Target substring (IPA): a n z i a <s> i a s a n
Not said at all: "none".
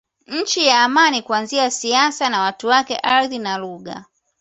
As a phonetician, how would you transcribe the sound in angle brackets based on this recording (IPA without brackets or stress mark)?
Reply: s